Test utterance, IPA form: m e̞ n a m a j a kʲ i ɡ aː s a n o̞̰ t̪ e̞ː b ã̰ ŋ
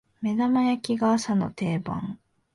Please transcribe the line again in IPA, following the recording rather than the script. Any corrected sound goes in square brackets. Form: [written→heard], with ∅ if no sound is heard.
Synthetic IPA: m e̞ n a m a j a kʲ i ɡ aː s a n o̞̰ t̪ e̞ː b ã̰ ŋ

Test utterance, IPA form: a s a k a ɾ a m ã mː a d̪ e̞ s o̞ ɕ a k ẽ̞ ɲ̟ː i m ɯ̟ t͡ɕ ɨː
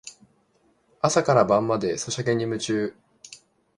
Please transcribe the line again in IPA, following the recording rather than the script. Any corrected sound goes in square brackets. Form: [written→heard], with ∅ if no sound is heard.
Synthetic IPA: a s a k a ɾ a [m→b] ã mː a d̪ e̞ s o̞ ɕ a k [ẽ̞→e̞] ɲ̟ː i m ɯ̟ t͡ɕ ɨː

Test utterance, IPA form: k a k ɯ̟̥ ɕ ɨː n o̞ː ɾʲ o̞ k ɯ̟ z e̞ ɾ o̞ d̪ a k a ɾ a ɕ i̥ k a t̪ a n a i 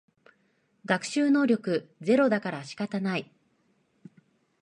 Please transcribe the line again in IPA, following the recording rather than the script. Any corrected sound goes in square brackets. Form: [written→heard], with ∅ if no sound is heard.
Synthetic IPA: [k→ɡ] a k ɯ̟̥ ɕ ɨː n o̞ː ɾʲ o̞ k ɯ̟ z e̞ ɾ o̞ d̪ a k a ɾ a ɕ i̥ k a t̪ a n a i

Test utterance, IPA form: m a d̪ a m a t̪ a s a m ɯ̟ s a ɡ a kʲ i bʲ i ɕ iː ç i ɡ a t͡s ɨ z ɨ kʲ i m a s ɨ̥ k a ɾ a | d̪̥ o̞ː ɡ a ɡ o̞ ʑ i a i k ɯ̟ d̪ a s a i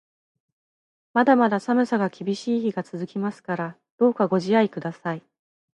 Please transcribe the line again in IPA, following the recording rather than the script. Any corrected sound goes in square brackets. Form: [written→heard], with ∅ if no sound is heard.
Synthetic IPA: m a d̪ a m a [t̪→d̪] a s a m ɯ̟ s a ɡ a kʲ i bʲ i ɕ iː ç i ɡ a t͡s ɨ z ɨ kʲ i m a s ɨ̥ k a ɾ a | d̪̥ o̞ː [ɡ→k] a ɡ o̞ ʑ i a i k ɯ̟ d̪ a s a i

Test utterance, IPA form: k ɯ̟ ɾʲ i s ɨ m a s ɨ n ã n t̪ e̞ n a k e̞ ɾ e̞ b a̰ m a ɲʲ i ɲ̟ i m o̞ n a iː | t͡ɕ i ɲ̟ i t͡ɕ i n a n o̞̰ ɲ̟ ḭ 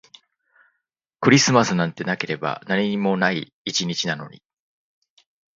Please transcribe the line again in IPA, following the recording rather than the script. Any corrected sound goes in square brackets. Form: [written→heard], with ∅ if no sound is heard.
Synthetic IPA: k ɯ̟ ɾʲ i s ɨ m a s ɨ n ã n t̪ e̞ n a k e̞ ɾ e̞ b a̰ [m→n] a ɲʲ i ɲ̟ i m o̞ n a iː | t͡ɕ i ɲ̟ i t͡ɕ i n a n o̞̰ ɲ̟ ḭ

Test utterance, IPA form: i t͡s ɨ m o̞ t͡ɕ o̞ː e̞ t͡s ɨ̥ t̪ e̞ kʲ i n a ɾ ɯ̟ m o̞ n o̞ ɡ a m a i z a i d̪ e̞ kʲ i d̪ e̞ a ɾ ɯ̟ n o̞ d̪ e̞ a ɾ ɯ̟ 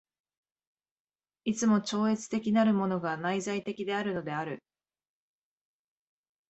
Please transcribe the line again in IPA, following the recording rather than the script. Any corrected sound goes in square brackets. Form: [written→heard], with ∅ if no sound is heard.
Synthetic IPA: i t͡s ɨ m o̞ t͡ɕ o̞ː e̞ t͡s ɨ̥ t̪ e̞ kʲ i n a ɾ ɯ̟ m o̞ n o̞ ɡ a [m→n] a i z a i [d̪→t̪] e̞ kʲ i d̪ e̞ a ɾ ɯ̟ n o̞ d̪ e̞ a ɾ ɯ̟

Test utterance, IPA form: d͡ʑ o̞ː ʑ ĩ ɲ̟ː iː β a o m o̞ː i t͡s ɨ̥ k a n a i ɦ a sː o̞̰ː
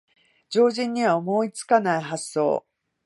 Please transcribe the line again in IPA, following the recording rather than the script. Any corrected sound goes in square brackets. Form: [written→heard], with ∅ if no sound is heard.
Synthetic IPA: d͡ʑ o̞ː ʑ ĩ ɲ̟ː [iː→i] β a o m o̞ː i t͡s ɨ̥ k a n a i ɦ a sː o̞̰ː

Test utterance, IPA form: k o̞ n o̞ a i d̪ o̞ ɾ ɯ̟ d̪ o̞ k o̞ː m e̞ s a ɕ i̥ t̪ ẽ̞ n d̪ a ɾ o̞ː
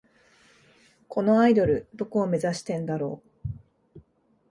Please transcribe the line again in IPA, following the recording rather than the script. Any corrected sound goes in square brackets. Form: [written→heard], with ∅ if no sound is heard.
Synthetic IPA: k o̞ n o̞ a i d̪ o̞ ɾ ɯ̟ d̪ o̞ k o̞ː m e̞ [s→z] a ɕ i̥ t̪ ẽ̞ n d̪ a ɾ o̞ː

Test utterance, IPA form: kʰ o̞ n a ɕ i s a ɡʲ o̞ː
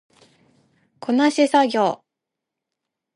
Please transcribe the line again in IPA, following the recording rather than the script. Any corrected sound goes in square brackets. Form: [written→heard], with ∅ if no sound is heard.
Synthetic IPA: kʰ o̞ n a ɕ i s a ɡʲ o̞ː

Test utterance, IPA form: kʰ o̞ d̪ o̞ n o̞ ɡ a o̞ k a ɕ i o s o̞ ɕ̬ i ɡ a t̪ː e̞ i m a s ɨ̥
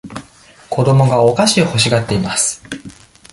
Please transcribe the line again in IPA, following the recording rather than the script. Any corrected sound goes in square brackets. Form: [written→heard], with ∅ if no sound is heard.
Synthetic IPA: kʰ o̞ d̪ o̞ [n→m] o̞ ɡ a o̞ k a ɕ i o [s→h] o̞ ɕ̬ i ɡ a t̪ː e̞ i m a s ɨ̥

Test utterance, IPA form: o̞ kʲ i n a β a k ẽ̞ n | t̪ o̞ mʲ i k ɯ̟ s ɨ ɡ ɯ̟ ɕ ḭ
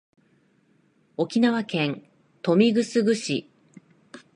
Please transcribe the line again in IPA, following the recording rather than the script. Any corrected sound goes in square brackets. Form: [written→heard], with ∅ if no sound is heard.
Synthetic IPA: o̞ kʲ i n a β a k ẽ̞ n | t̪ o̞ mʲ i [k→ɡ] ɯ̟ s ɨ ɡ ɯ̟ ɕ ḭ

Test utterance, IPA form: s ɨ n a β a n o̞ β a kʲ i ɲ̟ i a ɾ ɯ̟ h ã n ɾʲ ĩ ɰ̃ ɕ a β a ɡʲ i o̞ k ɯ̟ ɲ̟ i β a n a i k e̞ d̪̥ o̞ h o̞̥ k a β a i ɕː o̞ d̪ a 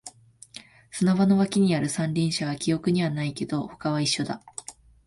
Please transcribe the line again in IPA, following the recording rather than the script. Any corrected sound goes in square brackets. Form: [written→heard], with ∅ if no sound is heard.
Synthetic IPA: s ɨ n a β a n o̞ β a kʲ i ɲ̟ i a ɾ ɯ̟ [h→s] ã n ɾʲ ĩ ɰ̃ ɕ a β a [ɡʲ→kʲ] i o̞ k ɯ̟ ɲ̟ i β a n a i k e̞ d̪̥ o̞ h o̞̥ k a β a i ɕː o̞ d̪ a

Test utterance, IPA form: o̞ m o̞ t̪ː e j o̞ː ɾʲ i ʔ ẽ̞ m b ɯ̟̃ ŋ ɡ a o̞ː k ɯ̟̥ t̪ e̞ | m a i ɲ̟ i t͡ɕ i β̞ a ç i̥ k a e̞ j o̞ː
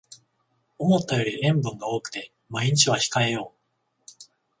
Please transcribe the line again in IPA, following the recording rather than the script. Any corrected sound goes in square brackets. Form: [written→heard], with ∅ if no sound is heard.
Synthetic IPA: o̞ m o̞ t̪ː [e→a] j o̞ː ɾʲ i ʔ ẽ̞ m b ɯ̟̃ ŋ ɡ a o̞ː k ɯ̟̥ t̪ e̞ | m a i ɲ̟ i t͡ɕ i β̞ a ç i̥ k a e̞ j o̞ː

